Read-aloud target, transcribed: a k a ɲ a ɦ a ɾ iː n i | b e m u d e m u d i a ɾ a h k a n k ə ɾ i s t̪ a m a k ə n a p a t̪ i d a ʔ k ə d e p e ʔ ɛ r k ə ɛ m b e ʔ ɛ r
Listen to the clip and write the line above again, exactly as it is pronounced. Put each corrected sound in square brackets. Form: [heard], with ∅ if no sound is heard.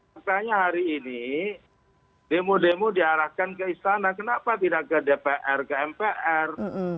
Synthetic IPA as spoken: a k a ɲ a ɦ a ɾ iː n i | [d] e m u d e m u d i a ɾ a h k a n k ə [∅] i s t̪ a [n] a k ə n a p a t̪ i d a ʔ k ə d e p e ʔ ɛ r k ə ɛ m [p] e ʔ ɛ r